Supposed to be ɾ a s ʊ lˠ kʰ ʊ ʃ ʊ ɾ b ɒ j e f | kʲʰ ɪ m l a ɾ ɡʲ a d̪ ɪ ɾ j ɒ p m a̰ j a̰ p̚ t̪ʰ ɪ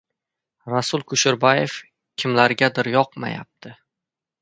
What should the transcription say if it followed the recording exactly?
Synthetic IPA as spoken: ɾ a s ʊ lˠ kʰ ʊ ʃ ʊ ɾ b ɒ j e f | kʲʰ ɪ m l a ɾ ɡʲ a d̪ ɪ ɾ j ɒ q m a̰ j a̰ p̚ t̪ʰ ɪ